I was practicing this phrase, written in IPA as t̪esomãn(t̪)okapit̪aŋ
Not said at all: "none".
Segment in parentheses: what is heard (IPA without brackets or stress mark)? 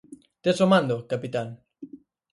d̪